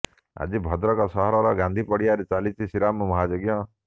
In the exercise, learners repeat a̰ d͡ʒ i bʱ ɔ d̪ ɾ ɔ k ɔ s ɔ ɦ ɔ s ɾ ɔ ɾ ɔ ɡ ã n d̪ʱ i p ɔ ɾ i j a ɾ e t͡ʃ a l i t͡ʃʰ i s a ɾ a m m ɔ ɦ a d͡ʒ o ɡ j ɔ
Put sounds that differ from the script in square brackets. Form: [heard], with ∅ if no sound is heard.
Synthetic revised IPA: a̰ d͡ʒ i bʱ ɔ d̪ ɾ ɔ k ɔ s ɔ ɦ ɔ [∅] ɾ ɔ ɾ ɔ ɡ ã n d̪ʱ i p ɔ [ɽ] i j a ɾ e t͡ʃ a l i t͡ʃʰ i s [i] ɾ a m m ɔ ɦ a d͡ʒ o ɡ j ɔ